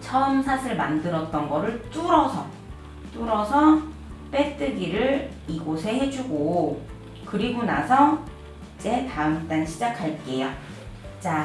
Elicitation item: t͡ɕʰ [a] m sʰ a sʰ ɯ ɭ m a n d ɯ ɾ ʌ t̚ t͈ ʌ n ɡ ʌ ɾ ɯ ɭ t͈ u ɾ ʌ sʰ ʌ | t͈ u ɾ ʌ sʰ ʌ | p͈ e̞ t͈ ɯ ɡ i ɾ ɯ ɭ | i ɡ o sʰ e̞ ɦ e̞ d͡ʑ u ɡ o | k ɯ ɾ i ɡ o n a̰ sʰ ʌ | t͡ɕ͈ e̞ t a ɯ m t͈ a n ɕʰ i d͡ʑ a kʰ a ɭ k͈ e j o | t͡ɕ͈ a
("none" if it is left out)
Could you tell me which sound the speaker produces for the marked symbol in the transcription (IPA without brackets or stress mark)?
ʌ